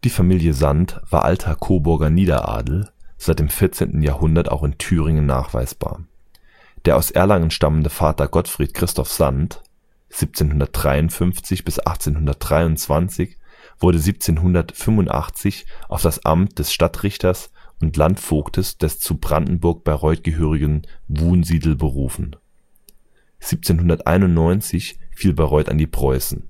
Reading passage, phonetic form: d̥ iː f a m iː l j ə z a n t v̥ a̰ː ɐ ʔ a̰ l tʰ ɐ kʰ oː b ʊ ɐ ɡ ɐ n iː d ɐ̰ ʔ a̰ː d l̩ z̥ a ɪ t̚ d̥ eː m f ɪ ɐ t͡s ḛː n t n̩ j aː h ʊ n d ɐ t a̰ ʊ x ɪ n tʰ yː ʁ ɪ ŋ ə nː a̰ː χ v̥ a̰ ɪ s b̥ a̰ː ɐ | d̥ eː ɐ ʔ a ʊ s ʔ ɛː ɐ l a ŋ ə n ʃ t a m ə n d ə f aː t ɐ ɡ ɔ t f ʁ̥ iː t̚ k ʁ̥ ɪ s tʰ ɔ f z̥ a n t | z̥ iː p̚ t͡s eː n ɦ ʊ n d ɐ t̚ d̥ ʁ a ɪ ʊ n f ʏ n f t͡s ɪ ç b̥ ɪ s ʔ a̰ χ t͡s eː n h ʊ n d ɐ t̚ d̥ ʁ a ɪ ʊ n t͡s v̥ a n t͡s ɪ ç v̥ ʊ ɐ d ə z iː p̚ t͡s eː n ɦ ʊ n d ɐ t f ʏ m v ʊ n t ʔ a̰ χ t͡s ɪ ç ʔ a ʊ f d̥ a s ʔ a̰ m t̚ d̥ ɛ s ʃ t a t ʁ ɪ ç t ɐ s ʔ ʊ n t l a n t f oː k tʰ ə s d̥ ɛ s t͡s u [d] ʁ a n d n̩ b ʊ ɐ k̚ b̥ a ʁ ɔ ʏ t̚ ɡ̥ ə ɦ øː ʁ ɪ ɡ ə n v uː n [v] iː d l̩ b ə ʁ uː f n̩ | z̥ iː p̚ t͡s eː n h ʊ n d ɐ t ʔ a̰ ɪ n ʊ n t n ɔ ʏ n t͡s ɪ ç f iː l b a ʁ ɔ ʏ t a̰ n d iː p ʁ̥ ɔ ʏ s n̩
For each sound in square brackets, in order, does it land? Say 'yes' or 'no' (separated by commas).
no, no